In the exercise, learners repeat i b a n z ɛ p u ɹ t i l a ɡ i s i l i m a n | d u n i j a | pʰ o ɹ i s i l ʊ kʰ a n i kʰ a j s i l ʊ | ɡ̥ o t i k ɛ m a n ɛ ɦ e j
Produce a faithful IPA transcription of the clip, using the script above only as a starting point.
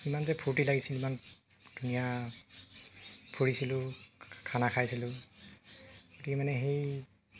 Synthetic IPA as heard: i m a n z ɛ pʰ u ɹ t i l a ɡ i s i l i m a n | d u n i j a | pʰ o ɹ i s i l ʊ kʰ a n a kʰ a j s i l ʊ | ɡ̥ o t i k ɛ m a n ɛ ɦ e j